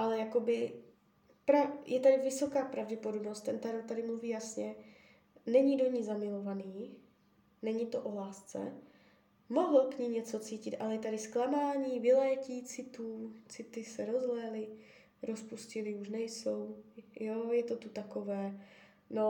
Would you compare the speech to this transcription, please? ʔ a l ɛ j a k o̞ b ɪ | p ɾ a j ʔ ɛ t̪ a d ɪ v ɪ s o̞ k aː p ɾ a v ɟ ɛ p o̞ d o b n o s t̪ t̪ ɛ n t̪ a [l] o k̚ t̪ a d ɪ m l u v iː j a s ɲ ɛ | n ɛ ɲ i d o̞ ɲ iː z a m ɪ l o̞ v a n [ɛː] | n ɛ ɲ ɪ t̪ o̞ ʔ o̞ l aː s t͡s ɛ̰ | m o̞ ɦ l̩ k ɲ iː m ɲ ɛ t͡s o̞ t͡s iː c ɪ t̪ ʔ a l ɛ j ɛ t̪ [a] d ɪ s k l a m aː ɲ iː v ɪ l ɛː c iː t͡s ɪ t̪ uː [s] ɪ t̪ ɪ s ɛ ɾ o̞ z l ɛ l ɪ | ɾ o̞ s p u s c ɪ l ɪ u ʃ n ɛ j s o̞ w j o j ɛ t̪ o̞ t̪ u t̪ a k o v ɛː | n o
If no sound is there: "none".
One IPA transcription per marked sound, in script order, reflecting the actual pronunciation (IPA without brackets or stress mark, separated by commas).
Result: ɾ, iː, a, t͡s